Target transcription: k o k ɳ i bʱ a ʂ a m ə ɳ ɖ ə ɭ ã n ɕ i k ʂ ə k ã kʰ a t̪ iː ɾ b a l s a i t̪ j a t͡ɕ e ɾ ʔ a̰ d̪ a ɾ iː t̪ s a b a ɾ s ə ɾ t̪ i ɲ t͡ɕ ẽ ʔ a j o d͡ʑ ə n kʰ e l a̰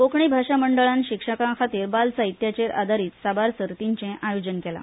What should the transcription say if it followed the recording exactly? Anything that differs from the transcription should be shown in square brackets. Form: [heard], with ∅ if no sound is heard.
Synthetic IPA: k o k ɳ i bʱ a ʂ a m ə ɳ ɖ ə ɭ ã n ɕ i k ʂ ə k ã kʰ a t̪ iː ɾ b a l s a i t̪ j a t͡ɕ e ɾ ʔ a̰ d̪ a ɾ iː t̪ s a b a ɾ s ə ɾ t̪ i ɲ t͡ɕ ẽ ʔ a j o d͡ʑ ə n [k] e l a̰